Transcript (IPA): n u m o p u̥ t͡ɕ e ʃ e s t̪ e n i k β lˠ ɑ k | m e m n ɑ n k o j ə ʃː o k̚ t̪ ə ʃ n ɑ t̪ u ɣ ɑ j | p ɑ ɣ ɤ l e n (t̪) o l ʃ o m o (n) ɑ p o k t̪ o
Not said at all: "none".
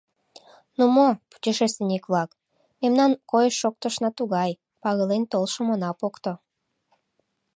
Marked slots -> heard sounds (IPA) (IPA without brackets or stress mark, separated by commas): t̪, n